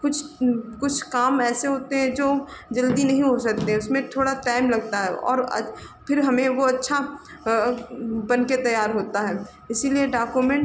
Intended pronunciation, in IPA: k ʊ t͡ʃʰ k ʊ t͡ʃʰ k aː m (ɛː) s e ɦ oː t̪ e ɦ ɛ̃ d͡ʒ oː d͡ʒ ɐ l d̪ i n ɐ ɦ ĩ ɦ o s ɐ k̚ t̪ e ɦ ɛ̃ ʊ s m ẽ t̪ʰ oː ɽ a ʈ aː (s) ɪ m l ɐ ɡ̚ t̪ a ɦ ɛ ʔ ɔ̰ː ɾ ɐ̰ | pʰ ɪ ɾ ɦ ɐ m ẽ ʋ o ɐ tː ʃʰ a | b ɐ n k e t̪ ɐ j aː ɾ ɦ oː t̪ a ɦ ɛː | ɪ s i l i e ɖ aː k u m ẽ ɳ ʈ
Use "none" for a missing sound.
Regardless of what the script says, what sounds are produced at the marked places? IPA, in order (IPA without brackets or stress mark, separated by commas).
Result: ɛː, none